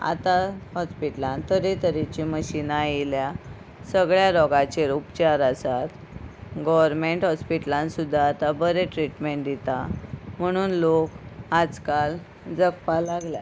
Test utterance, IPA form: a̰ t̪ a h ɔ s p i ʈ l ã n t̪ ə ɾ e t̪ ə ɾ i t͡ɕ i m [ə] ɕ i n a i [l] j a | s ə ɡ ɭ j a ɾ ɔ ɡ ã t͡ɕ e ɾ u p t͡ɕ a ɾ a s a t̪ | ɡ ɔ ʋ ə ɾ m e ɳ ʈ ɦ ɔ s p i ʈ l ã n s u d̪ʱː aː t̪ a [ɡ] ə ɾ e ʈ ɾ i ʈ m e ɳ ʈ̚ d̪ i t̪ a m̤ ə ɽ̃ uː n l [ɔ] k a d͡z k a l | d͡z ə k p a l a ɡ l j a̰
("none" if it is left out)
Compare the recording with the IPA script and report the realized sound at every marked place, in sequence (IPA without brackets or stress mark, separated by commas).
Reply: ə, l, b, o